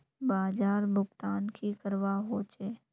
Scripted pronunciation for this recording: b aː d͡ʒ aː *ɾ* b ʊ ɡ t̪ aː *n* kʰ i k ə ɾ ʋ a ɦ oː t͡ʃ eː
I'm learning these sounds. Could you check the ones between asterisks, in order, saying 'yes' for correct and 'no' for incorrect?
yes, yes

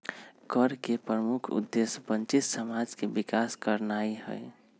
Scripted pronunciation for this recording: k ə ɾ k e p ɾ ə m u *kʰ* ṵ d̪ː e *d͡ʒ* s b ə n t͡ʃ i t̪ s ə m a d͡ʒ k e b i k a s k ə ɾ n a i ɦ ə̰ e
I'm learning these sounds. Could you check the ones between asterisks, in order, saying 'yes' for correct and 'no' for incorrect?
yes, no

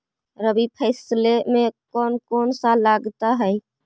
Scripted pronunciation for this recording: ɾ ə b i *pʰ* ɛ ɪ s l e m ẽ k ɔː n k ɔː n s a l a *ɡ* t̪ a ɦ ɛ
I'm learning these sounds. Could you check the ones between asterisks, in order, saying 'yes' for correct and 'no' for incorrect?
yes, yes

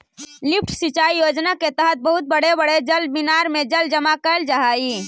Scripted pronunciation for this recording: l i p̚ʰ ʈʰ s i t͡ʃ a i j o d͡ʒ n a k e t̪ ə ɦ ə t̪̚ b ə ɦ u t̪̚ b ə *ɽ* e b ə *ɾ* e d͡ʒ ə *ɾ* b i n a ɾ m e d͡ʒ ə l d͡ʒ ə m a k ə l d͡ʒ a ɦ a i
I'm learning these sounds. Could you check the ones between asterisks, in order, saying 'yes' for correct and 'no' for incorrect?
yes, no, no

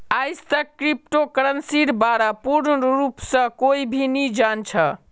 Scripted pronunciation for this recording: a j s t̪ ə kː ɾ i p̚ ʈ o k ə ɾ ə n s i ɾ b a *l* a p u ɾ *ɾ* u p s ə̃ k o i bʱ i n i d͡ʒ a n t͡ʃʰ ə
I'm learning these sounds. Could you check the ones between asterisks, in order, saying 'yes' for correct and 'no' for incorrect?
no, yes

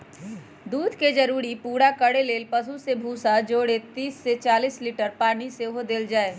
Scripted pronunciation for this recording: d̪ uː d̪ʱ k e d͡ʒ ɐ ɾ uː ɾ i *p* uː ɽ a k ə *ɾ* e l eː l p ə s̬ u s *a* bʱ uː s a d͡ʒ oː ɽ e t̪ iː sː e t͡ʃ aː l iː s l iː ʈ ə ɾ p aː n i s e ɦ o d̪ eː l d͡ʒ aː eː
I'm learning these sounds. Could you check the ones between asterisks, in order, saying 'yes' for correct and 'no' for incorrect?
yes, no, no

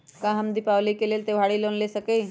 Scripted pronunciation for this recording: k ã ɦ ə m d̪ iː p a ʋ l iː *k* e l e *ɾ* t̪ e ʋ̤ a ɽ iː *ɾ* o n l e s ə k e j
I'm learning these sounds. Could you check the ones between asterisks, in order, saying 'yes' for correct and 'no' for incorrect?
yes, no, no

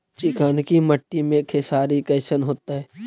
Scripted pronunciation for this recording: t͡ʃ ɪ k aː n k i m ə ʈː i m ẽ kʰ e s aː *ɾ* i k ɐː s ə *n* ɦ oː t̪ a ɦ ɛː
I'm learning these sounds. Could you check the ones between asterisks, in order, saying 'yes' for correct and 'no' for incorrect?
yes, yes

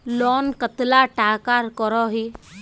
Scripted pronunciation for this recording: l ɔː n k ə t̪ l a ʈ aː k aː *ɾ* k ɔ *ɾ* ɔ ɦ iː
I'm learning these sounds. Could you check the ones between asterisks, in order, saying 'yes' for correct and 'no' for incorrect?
yes, yes

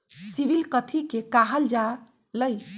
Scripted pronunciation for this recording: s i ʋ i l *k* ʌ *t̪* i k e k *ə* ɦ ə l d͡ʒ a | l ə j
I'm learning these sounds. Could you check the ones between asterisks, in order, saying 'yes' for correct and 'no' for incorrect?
yes, no, no

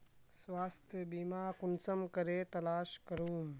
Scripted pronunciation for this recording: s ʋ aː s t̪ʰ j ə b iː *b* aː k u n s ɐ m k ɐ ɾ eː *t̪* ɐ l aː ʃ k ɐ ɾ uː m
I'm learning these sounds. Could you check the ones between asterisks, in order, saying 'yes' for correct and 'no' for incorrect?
no, yes

